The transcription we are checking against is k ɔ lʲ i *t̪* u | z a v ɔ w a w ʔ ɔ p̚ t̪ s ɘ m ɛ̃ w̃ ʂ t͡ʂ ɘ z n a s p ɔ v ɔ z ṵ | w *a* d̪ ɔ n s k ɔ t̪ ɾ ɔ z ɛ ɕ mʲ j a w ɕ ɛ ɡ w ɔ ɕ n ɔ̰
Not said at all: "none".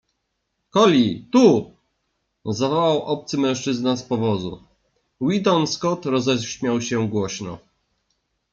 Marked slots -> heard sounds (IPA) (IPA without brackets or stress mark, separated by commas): t̪, i